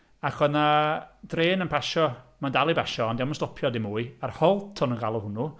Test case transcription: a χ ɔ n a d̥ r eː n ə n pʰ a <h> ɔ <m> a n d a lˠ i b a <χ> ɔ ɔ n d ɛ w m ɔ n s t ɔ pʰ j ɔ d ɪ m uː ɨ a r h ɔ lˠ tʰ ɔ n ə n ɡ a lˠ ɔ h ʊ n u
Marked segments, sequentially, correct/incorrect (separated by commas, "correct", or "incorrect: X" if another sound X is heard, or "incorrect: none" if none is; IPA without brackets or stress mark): incorrect: ʃ, correct, incorrect: ʃ